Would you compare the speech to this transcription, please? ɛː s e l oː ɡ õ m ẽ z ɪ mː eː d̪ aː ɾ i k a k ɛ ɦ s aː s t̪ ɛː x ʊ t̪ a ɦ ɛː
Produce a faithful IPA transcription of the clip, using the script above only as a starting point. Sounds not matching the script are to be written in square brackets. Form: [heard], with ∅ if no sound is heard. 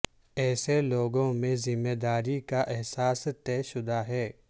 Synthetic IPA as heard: ɛː s e l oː ɡ õ m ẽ z ɪ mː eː d̪ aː ɾ i k a [ʔ] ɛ ɦ s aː s t̪ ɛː [ʃ] ʊ [d̪] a ɦ ɛː